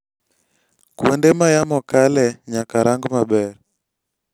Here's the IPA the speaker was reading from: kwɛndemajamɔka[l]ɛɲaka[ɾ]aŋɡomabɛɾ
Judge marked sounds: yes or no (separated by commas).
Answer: yes, yes